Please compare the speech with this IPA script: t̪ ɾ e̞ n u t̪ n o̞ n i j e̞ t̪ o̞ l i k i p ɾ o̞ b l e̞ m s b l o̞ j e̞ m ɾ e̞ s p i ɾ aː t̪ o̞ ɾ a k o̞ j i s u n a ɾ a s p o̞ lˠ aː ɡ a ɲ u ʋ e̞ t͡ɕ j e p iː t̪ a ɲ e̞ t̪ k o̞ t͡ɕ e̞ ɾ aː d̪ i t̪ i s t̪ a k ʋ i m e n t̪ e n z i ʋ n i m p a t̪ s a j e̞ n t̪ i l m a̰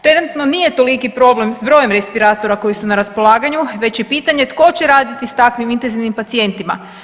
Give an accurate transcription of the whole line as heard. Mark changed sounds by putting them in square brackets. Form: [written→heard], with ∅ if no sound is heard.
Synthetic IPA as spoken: t̪ ɾ e̞ n u t̪ n o̞ n i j e̞ t̪ o̞ l i k i p ɾ o̞ b l e̞ m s b [l→ɾ] o̞ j e̞ m ɾ e̞ s p i ɾ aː t̪ o̞ ɾ a k o̞ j i s u n a ɾ a s p o̞ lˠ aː ɡ a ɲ u ʋ e̞ t͡ɕ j e p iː t̪ a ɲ e̞ t̪ k o̞ t͡ɕ e̞ ɾ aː d̪ i t̪ i s t̪ a k ʋ i m [e→i] n t̪ e n z i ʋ n i m p a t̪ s [a→i] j e̞ n t̪ i [l→∅] m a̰